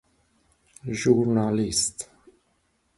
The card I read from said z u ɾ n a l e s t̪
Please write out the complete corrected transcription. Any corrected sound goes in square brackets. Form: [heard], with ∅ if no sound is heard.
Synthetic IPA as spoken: [ʒ] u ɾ n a l [i] s t̪